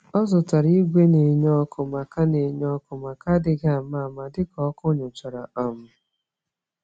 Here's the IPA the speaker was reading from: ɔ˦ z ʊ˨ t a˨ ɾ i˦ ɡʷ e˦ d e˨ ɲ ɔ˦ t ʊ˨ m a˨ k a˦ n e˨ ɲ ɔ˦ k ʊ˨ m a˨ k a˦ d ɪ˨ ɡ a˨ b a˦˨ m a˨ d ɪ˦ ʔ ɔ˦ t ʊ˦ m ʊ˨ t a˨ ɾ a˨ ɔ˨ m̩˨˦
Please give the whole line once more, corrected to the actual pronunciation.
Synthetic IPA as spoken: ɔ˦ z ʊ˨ t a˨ ɾ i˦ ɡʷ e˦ n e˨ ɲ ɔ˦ k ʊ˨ m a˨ k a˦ n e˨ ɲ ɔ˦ k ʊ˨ m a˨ k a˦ d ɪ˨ ɡ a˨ m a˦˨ m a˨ d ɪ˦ k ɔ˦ k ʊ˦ ɲ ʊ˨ t͡ʃ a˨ ɾ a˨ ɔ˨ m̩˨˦